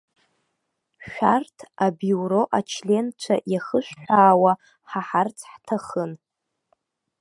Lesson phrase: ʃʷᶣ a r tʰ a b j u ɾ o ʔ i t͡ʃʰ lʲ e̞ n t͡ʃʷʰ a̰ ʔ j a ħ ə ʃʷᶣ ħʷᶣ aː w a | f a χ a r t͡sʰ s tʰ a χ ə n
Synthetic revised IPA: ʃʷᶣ a r tʰ a b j u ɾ o ʔ a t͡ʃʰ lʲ e̞ n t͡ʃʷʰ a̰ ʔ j a χ ə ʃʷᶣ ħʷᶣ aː w a | ħ a ħ a r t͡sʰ ħ tʰ a χ ə n